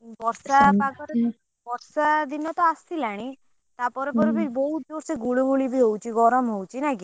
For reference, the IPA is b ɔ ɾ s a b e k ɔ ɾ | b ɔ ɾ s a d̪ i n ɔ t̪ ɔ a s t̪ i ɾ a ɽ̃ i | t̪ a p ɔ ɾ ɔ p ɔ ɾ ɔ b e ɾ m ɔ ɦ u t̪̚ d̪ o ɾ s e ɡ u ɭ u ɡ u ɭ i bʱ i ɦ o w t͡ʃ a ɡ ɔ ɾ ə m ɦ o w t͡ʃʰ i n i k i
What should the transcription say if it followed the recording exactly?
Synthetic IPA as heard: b ɔ ɾ s a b a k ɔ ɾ | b ɔ ɾ s a d̪ i n ɔ t̪ ɔ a s t̪ i l a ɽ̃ i | t̪ a p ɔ ɾ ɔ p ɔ ɾ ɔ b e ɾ b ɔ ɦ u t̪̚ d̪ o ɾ s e ɡ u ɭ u ɡ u ɭ i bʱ i ɦ o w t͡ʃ i ɡ ɔ ɾ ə m ɦ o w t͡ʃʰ i n a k i

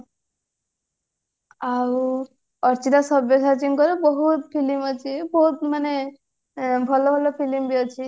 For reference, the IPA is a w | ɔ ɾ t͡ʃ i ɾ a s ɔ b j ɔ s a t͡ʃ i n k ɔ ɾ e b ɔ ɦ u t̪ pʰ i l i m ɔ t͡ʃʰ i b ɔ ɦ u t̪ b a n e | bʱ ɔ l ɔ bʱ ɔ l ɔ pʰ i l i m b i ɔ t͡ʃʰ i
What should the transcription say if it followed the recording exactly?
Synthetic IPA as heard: a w | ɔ ɾ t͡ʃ i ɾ a s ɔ b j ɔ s a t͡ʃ i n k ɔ ɾ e b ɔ ɦ u t̪ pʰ i l i m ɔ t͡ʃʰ i b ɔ ɦ u t̪ m a n e | bʱ ɔ l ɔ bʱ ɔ l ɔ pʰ i l i m b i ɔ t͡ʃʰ i

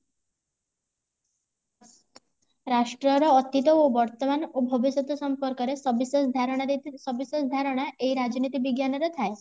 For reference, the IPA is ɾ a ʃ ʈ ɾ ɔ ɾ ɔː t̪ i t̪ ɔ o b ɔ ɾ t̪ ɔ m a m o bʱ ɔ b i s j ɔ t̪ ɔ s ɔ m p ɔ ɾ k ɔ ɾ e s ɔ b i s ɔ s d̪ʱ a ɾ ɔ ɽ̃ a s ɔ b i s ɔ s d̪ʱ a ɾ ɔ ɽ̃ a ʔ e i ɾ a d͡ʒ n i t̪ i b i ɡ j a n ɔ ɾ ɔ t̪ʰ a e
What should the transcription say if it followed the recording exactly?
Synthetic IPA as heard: ɾ a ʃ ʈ ɾ ɔ ɾ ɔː t̪ i t̪ ɔ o b ɔ ɾ t̪ ɔ m a n o bʱ ɔ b i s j ɔ t̪ ɔ s ɔ m p ɔ ɾ k ɔ ɾ e s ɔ b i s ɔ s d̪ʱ a ɾ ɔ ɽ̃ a s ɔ b i s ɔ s d̪ʱ a ɾ ɔ ɽ̃ a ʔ e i ɾ a d͡ʒ n i t̪ i b i ɡ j a n ɔ ɾ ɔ t̪ʰ a e

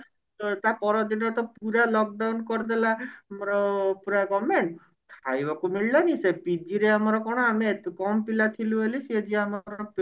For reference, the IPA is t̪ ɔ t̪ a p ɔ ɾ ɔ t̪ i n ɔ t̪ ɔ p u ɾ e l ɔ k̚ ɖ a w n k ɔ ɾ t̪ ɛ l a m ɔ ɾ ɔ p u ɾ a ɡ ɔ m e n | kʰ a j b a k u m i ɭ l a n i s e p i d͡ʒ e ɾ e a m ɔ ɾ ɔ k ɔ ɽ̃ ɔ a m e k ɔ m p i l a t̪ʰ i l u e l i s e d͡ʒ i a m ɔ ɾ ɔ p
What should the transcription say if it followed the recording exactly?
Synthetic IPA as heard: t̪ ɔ t̪ a p ɔ ɾ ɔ d̪ i n ɔ t̪ ɔ p u ɾ a l ɔ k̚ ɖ a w n k ɔ ɾ d̪ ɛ l a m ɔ ɾ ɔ p u ɾ a ɡ ɔ m e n | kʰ a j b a k u m i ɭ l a n i s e p i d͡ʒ i ɾ e a m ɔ ɾ ɔ k ɔ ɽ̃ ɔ a m e k ɔ m p i l a t̪ʰ i l u e l i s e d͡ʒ i a m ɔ ɾ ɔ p

